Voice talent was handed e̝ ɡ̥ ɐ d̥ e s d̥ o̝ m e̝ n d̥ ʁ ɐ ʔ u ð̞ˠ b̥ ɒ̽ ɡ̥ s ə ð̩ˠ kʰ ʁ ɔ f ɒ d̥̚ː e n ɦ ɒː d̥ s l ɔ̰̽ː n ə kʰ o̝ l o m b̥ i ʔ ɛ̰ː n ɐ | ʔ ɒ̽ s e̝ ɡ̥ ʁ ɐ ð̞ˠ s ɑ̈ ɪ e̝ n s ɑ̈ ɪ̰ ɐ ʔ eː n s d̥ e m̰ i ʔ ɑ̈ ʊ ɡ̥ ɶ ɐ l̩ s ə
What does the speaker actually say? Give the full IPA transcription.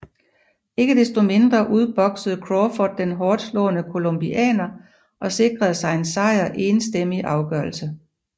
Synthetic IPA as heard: e̝ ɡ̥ ə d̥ e s d̥ o̝ m e̝ n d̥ ʁ ɐ ʔ u ð̞ˠ b̥ ɒ̽ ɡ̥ s ə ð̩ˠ kʰ ʁ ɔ f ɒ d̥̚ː e n ɦ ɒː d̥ s l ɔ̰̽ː n ə kʰ o̝ l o m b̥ i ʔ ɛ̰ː n ɐ | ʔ ɒ̽ s e̝ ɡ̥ ʁ ɐ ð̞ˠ s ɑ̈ ɪ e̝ n s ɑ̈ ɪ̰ ɐ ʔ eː n s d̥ e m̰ i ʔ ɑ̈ ʊ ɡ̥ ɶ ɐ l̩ s ə